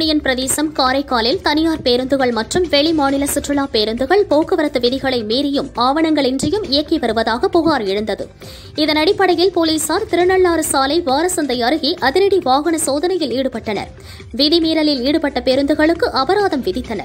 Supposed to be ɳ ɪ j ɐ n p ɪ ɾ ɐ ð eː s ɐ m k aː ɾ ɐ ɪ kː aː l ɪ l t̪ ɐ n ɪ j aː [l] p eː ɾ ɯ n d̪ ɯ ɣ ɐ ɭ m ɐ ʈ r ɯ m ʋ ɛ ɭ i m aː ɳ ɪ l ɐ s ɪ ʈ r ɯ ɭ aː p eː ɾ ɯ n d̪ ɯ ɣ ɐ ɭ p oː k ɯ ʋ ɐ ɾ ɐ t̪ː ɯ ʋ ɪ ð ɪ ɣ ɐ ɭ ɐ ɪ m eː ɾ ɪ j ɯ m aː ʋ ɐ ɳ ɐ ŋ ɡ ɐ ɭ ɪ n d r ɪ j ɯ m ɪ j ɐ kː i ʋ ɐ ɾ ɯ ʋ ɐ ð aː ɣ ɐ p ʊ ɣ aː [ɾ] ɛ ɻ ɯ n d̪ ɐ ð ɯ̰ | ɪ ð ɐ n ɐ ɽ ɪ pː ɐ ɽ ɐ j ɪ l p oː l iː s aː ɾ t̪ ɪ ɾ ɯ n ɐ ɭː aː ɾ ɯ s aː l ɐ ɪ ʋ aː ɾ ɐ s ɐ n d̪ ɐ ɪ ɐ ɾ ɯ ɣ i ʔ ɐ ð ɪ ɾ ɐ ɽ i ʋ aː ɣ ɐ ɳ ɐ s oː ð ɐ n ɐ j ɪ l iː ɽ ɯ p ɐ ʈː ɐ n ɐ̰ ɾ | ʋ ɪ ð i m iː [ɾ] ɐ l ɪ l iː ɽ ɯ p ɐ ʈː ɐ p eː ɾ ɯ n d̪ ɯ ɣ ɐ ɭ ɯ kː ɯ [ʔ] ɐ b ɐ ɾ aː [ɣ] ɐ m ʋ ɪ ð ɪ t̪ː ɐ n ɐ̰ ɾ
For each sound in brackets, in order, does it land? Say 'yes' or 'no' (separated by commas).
no, yes, yes, yes, no